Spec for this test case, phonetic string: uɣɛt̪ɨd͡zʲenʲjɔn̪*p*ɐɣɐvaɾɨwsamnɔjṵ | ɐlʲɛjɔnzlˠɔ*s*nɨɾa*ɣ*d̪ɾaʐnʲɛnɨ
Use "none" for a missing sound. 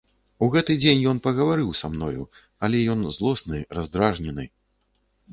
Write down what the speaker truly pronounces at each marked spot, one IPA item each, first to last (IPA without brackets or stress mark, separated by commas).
p, s, z